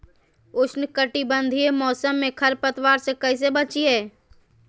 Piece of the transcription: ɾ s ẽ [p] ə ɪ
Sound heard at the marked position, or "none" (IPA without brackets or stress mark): k